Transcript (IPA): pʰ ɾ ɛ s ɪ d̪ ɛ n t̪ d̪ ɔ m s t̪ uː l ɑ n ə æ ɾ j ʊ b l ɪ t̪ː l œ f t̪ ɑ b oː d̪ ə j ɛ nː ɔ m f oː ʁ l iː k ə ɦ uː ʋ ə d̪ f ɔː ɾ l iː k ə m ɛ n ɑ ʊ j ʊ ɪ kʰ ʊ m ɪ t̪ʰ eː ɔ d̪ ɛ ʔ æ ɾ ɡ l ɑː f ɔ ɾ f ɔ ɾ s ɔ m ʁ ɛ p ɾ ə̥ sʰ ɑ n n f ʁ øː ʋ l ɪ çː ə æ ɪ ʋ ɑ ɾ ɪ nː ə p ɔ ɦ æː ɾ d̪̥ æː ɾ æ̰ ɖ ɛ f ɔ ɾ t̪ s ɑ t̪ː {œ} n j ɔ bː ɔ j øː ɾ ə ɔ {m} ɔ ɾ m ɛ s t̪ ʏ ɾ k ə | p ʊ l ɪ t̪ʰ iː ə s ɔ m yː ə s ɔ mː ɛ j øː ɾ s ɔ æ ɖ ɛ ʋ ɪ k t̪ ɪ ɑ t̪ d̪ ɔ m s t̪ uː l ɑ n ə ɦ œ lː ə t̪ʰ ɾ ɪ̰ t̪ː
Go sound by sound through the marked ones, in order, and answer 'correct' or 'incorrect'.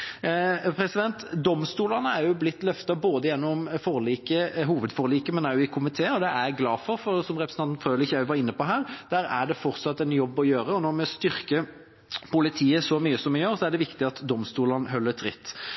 incorrect, incorrect

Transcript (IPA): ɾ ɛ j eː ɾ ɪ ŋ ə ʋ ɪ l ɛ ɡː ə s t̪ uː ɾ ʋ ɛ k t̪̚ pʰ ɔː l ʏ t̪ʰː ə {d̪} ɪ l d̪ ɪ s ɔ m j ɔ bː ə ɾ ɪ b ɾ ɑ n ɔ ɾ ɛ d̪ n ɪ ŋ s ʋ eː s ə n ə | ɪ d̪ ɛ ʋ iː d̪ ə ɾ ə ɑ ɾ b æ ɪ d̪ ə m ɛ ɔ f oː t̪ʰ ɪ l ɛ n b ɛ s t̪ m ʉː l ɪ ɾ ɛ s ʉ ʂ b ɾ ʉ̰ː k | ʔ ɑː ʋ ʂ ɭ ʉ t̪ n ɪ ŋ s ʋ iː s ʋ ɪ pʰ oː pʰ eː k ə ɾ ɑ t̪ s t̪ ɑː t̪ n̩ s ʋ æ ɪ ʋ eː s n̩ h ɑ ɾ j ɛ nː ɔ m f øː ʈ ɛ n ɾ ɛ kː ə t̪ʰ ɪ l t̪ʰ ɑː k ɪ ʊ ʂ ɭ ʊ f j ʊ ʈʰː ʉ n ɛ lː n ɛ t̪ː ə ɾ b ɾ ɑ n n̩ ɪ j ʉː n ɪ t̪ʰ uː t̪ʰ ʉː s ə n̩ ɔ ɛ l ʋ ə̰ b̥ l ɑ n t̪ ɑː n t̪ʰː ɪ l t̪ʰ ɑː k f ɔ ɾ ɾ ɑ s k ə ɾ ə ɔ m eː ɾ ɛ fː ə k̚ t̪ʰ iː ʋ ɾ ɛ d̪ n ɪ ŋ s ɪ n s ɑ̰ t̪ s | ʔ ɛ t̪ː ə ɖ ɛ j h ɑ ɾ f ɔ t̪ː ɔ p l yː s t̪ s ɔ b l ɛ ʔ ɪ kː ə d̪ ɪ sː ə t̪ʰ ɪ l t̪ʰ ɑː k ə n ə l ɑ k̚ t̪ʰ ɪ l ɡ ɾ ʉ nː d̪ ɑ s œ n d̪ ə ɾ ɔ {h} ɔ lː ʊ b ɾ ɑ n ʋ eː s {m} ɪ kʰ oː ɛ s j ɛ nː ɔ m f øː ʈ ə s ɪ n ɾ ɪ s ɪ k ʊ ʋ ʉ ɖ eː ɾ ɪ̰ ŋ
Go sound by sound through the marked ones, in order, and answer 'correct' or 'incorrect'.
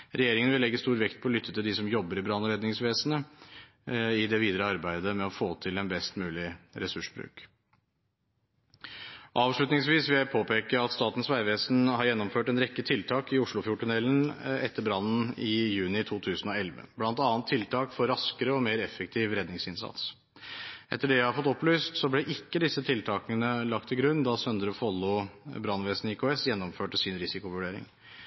incorrect, incorrect, incorrect

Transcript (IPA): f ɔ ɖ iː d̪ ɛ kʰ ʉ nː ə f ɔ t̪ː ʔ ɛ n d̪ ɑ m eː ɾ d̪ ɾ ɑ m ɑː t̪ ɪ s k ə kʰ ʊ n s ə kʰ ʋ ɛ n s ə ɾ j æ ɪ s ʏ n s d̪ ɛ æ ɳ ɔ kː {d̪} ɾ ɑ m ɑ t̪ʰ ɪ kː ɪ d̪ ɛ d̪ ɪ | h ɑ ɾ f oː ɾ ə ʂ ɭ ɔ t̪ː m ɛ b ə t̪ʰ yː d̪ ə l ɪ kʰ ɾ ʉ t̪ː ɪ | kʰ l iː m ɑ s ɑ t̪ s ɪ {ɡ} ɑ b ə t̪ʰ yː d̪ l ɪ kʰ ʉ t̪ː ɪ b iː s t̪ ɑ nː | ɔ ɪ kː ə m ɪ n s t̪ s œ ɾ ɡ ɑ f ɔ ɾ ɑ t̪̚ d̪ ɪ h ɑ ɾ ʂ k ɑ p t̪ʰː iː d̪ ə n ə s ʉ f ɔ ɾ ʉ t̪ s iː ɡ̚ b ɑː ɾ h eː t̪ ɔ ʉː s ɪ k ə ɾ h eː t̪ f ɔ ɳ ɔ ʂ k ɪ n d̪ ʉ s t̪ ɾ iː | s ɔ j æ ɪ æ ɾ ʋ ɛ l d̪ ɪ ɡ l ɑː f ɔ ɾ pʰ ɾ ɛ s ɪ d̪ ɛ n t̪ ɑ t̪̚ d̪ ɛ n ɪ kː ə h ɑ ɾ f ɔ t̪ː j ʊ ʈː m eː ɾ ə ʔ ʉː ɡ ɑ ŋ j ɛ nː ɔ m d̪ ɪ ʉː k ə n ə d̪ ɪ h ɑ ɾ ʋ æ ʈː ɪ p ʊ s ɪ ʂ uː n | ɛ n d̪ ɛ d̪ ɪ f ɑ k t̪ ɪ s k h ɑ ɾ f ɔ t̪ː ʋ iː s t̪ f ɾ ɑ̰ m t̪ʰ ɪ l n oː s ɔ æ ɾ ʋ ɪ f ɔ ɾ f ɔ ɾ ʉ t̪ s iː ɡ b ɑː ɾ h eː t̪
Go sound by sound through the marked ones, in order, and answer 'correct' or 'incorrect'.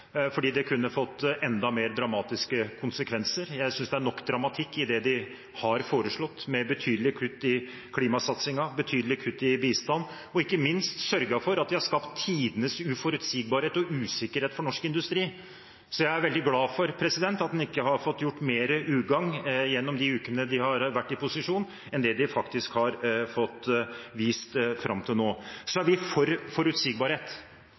correct, incorrect

